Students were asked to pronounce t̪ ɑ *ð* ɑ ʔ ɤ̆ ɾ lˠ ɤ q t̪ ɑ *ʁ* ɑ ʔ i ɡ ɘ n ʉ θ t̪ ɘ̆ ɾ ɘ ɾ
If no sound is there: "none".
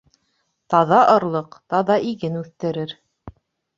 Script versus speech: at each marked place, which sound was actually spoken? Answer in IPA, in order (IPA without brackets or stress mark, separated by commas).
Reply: ð, ð